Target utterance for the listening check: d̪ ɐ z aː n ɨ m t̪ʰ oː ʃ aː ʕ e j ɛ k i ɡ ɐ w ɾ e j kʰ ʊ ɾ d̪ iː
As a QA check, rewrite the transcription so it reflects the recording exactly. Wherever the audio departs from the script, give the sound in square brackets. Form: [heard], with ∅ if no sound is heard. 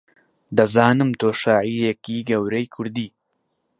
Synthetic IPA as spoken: d̪ ɐ z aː n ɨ m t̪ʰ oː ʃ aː ʕ [i] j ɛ k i ɡ ɐ w ɾ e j kʰ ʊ ɾ d̪ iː